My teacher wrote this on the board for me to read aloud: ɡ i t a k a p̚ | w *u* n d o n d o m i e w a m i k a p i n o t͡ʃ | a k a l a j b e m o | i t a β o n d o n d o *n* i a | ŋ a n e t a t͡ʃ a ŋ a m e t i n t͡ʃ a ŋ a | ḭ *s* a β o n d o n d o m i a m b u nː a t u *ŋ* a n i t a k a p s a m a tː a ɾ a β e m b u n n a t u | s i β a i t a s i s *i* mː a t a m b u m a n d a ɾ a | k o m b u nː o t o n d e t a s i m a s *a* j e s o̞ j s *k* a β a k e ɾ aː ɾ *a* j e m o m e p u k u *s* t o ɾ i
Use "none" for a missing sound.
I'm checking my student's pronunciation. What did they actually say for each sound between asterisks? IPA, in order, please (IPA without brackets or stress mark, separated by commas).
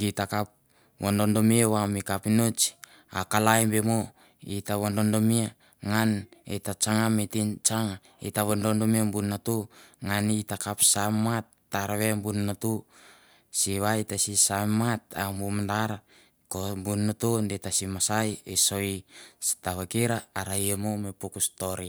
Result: o, m, t, ŋ, a, a, t, a, s